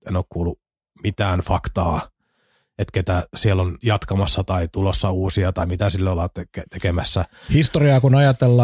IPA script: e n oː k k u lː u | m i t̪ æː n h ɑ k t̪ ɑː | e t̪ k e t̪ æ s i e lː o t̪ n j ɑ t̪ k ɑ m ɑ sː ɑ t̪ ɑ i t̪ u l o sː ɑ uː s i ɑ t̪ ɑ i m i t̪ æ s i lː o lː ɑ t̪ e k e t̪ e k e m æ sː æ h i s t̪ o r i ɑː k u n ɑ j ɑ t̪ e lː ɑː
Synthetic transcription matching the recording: e n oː k k uː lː u | m i t̪ æː n f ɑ k t̪ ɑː | e t̪ k e t̪ æ s i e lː o n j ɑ t̪ k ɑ m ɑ sː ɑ t̪ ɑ i t̪ u l o sː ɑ uː s i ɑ t̪ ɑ i m i t̪ æ s i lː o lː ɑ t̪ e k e t̪ e k e m æ sː æ h i s t̪ o r i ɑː k u n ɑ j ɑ t̪ e lː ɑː